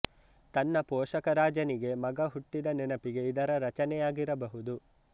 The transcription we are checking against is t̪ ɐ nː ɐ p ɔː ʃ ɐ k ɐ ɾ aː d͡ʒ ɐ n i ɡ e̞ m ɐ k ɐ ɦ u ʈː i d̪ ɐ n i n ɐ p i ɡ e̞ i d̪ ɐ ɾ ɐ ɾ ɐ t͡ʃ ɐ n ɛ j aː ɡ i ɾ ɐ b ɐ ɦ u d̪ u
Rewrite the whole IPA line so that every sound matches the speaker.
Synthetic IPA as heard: t̪ ɐ nː ɐ p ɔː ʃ ɐ k ɐ ɾ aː d͡ʒ ɐ n i ɡ e̞ m ɐ ɡ ɐ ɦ u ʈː i d̪ ɐ n ɛ n ɐ p i ɡ e̞ i d̪ ɐ ɾ ɐ ɾ ɐ t͡ʃ ɐ n ɛ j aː ɡ i ɾ ɐ b ɐ ɦ u d̪ u